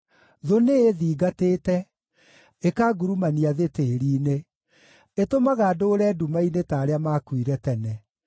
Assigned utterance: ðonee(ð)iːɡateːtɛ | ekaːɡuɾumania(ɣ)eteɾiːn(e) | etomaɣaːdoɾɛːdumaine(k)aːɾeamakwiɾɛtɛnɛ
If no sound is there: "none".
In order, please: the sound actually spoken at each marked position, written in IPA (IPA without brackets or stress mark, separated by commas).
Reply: ð, ð, e, t